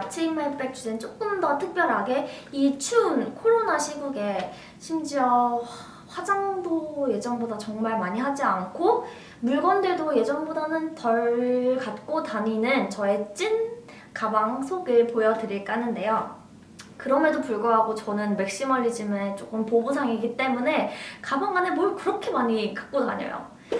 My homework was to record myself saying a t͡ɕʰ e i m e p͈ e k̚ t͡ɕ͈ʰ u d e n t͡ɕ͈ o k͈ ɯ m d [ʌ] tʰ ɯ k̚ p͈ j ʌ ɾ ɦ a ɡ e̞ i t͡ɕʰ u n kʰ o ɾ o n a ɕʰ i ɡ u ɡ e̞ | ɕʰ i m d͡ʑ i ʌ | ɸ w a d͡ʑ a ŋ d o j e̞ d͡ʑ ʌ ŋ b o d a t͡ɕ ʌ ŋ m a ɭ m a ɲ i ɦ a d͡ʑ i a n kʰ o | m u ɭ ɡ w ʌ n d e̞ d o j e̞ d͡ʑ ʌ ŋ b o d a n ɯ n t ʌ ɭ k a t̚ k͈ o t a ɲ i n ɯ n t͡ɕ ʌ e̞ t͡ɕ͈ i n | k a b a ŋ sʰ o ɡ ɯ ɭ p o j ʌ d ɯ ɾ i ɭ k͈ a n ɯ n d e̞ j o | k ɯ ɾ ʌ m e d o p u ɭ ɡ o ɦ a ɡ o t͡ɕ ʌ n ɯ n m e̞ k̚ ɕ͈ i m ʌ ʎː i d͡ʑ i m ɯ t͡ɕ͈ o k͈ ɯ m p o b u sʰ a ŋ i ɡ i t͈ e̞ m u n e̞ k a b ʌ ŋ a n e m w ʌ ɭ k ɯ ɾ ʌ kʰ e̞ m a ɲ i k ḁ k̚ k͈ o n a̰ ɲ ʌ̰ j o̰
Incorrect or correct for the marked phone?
correct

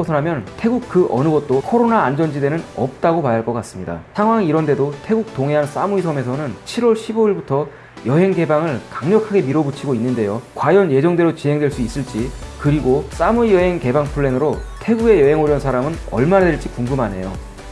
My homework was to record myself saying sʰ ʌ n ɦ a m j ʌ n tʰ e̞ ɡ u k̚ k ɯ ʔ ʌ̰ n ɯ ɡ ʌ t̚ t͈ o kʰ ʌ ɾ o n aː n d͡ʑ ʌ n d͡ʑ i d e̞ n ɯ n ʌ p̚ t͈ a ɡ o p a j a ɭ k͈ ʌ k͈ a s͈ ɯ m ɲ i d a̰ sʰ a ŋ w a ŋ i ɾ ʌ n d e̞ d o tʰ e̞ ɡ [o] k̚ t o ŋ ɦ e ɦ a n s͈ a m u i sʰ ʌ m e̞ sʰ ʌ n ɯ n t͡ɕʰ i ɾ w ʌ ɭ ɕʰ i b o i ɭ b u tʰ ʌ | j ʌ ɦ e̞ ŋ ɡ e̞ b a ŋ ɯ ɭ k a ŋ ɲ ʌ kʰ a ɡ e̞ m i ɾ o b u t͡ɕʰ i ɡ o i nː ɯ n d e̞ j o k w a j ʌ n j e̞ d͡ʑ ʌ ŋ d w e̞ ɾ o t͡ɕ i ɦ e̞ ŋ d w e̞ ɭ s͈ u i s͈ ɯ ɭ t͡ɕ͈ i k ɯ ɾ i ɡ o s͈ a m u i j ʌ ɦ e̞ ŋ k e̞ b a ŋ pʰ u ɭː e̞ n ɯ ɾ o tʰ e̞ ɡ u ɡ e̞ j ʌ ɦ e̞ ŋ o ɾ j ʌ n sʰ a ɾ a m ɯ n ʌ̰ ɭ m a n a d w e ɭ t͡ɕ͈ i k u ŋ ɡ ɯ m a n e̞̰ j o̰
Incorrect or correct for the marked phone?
incorrect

